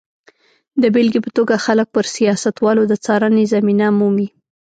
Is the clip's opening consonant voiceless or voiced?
voiced